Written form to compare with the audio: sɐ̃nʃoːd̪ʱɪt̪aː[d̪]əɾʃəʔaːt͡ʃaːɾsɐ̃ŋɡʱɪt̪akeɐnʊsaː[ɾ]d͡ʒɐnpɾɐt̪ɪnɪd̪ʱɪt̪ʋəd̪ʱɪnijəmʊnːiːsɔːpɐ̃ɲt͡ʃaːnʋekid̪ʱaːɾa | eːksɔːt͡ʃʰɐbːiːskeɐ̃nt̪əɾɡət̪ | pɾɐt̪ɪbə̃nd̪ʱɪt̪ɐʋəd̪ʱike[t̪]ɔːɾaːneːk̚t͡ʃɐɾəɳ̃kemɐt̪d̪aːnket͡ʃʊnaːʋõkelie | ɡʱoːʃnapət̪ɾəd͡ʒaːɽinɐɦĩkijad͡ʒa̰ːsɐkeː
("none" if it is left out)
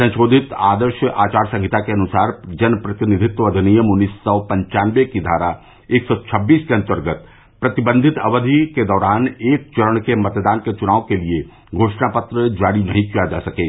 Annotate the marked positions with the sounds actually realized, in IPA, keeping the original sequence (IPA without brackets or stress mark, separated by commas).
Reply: d̪, ɾ, d̪